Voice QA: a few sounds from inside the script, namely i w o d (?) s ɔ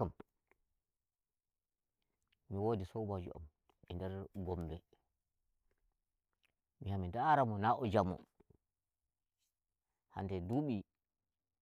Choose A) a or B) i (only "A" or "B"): B